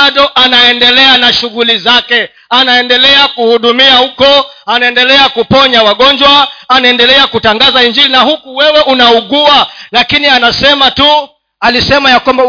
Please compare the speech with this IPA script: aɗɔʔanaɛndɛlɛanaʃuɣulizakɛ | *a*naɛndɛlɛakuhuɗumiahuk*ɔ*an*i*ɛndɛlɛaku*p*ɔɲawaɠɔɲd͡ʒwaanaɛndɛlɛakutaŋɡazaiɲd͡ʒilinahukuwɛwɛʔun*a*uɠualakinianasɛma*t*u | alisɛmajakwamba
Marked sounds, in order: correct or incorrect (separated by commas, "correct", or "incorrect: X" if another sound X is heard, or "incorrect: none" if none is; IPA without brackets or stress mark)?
correct, correct, incorrect: a, correct, correct, correct